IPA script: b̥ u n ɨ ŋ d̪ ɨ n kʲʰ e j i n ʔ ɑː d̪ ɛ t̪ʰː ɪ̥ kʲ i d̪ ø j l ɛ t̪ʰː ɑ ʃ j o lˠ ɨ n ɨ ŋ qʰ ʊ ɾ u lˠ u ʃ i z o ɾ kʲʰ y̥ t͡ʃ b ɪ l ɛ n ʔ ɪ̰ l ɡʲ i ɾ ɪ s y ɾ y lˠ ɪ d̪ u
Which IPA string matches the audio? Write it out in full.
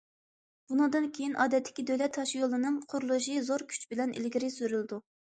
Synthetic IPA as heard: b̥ u n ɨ ŋ d̪ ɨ n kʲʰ e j i n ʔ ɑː d̪ ɛ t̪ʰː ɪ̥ kʲ i d̪ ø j l ɛ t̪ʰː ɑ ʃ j o lˠ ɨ n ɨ ŋ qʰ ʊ ɾ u lˠ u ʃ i z o ɾ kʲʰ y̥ t͡ʃ b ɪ l ɛ n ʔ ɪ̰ l ɡʲ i ɾ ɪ s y ɾ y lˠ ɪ d̪ u